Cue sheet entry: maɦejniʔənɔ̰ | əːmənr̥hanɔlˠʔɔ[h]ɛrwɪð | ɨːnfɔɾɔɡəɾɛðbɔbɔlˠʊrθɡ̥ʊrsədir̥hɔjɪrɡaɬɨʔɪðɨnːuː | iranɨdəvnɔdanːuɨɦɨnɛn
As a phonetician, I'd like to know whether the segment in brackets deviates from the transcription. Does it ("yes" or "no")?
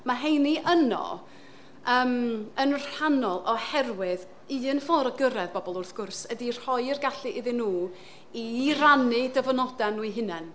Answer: no